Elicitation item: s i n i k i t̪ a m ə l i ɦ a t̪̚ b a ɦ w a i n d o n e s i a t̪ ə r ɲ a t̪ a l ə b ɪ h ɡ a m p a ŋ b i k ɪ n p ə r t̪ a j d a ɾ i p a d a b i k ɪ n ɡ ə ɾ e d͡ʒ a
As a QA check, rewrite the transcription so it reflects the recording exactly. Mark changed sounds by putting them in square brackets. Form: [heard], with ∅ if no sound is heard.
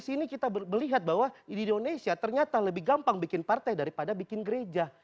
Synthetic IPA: s i n i k i t̪ a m ə l i ɦ a t̪̚ b a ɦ w a i n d o n e s i a t̪ ə r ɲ a t̪ a l ə b ɪ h ɡ a m p a ŋ b i k ɪ n p [a] r t̪ a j d a ɾ i p a d a b i k ɪ n ɡ ə ɾ e d͡ʒ a